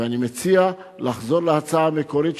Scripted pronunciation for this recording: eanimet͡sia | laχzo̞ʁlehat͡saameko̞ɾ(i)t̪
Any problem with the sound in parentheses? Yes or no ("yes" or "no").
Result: no